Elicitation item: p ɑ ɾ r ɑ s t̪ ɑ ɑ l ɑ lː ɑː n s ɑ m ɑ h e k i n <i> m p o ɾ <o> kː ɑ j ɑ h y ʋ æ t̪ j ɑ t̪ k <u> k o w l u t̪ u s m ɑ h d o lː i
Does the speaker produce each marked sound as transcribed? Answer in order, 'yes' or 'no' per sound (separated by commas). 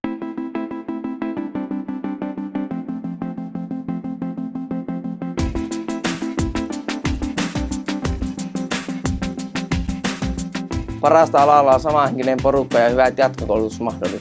no, no, no